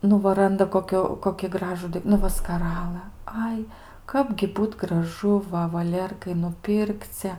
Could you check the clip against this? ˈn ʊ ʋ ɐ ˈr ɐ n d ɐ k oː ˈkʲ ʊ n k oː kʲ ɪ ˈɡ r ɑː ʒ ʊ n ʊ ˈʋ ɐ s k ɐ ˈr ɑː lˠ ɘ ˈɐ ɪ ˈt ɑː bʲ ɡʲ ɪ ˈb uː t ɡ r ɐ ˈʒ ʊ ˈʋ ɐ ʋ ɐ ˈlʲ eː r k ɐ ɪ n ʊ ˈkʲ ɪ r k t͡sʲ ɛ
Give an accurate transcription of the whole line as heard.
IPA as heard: ˈn ʊ ʋ ɐ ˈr ɐ n d ɐ k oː ˈkʲ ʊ k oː kʲ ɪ ˈɡ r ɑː ʒ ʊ n ʊ ˈʋ ɐ s k ɐ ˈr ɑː lˠ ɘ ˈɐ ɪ ˈk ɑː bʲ ɡʲ ɪ ˈb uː t ɡ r ɐ ˈʒ ʊ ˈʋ ɐ ʋ ɐ ˈlʲ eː r k ɐ ɪ n ʊ ˈpʲ ɪ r k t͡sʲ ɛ